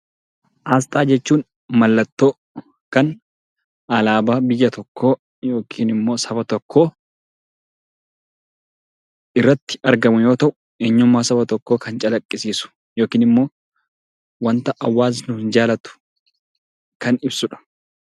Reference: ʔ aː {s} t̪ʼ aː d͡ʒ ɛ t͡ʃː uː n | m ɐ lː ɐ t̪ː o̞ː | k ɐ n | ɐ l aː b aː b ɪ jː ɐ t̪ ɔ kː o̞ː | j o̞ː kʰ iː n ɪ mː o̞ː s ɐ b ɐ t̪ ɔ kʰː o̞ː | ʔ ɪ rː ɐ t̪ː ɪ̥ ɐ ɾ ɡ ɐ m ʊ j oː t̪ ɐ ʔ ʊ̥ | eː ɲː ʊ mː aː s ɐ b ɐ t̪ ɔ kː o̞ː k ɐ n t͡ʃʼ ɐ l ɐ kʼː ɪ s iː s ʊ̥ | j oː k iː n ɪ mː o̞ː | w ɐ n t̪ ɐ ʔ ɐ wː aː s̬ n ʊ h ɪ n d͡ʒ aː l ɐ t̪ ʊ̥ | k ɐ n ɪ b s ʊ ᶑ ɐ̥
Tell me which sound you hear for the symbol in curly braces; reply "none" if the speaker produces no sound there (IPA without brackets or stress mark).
s